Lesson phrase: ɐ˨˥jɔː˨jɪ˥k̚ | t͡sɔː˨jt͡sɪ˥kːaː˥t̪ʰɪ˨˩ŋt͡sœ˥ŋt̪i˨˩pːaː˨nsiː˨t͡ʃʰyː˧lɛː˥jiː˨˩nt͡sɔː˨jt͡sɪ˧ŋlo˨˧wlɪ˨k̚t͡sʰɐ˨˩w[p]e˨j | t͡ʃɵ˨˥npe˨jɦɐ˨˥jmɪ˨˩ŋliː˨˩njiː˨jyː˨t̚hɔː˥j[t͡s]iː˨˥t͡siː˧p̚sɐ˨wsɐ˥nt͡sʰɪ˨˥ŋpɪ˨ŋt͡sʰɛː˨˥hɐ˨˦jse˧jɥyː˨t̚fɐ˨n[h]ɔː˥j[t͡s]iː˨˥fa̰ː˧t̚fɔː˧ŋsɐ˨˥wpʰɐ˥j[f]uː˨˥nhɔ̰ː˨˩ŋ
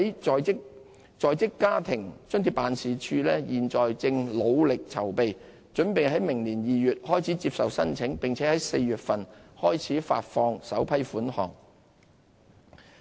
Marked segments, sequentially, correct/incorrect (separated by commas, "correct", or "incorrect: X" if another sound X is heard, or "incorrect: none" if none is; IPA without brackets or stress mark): correct, incorrect: t͡sʰ, correct, incorrect: t͡sʰ, correct